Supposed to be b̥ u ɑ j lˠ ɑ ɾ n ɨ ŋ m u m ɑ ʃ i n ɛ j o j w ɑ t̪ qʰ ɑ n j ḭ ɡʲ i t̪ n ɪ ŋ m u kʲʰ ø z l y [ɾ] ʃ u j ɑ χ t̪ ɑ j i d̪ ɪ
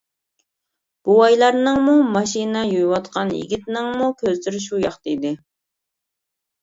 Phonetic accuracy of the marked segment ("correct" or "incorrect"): correct